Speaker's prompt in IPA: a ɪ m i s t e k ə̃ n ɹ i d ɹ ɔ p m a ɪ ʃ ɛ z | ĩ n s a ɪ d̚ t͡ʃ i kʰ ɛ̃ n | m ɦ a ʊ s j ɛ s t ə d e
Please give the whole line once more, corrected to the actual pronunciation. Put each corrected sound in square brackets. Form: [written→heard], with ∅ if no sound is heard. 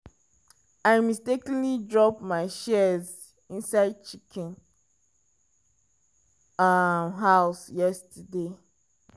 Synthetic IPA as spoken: a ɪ m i s t e k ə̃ n [ɹ→l] i d ɹ ɔ p m a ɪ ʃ ɛ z | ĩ n s a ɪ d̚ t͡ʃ i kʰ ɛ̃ n | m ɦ a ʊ s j ɛ s t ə d e